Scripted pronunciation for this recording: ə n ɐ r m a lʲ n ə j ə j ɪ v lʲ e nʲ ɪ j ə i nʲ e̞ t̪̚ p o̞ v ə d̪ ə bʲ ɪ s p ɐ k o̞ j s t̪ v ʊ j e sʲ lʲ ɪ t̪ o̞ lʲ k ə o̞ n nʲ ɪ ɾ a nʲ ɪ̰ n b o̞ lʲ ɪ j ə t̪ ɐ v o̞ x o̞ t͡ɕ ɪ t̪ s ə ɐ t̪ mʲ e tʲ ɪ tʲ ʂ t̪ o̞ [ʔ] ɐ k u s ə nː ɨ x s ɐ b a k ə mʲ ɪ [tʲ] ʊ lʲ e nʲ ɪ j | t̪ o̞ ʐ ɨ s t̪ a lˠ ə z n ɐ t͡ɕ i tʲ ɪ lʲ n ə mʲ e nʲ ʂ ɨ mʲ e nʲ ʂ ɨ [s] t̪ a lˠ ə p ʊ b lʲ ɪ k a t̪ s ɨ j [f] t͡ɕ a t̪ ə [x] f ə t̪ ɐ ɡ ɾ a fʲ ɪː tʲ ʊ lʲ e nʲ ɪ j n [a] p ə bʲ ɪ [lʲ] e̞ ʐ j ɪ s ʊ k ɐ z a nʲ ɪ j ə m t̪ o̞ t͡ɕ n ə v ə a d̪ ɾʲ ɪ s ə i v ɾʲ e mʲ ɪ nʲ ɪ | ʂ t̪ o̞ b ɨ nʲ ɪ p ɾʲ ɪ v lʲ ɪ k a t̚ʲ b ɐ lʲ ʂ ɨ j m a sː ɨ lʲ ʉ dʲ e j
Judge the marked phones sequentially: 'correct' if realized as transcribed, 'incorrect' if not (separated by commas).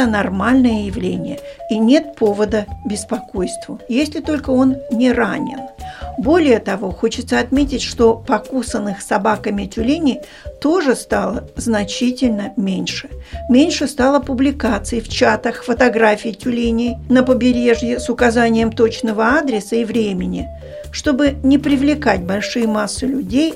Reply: incorrect, correct, correct, correct, correct, incorrect, incorrect